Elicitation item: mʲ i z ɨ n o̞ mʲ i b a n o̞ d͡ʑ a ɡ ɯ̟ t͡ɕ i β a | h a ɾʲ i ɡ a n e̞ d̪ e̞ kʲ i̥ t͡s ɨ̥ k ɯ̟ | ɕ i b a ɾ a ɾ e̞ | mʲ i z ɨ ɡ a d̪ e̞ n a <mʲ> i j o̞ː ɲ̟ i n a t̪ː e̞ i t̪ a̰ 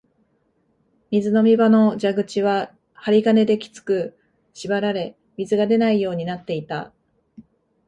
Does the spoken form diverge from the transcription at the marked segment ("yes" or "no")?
yes